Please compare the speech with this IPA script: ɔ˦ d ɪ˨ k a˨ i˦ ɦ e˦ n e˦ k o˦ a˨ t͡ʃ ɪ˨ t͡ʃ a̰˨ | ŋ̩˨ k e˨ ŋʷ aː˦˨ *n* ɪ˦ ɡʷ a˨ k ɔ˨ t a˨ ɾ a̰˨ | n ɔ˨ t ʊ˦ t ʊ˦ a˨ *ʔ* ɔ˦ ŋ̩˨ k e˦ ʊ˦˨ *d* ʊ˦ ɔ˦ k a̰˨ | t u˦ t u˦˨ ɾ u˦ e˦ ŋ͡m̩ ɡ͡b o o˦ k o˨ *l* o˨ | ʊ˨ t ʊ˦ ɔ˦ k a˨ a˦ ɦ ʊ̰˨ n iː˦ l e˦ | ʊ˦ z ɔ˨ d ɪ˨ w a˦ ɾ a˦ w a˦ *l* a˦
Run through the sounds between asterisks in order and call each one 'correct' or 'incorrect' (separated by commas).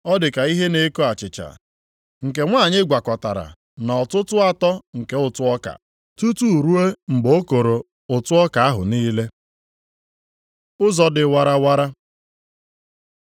incorrect, incorrect, incorrect, incorrect, incorrect